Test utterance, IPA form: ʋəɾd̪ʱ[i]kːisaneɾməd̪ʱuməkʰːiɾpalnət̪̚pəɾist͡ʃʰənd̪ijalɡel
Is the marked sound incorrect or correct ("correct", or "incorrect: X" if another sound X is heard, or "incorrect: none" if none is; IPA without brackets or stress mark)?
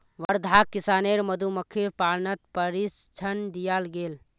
incorrect: a